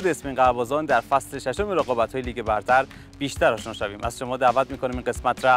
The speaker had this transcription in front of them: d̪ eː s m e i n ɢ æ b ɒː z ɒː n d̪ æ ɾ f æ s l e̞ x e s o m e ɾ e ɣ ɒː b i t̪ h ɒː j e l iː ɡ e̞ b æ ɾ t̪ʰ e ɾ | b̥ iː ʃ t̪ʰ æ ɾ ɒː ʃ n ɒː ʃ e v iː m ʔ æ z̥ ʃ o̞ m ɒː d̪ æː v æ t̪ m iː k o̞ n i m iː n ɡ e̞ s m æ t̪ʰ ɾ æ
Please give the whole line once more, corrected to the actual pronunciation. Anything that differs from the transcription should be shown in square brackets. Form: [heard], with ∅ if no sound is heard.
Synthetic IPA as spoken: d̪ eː s m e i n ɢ æ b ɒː z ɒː n d̪ æ ɾ f æ s l e̞ [ʃ] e [ʃ] o m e ɾ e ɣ ɒː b [æ] t̪ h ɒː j e l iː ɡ e̞ b æ ɾ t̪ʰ [æ] ɾ | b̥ iː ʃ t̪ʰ æ ɾ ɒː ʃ n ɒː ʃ [æ] v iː m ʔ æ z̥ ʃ o̞ m ɒː d̪ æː v æ t̪ m iː k o̞ n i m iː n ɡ e̞ s m æ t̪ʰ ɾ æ